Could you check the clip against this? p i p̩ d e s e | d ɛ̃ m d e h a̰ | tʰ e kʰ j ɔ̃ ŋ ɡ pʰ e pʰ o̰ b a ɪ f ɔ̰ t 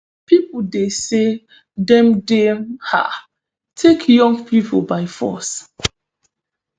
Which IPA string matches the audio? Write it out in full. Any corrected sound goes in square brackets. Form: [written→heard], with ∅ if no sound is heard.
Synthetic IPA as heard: p i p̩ d e s e | d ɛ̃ m d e h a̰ | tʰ e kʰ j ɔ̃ ŋ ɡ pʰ [e→i] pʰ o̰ b a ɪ f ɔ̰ [t→s]